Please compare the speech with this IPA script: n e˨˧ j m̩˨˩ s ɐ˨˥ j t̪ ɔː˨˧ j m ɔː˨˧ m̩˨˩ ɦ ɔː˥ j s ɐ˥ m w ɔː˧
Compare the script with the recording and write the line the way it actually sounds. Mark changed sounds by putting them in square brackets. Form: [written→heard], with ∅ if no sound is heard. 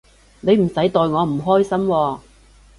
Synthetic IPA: n e˨˧ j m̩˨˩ s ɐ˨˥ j t̪ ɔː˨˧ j [m→ŋ] ɔː˨˧ m̩˨˩ ɦ ɔː˥ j s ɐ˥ m w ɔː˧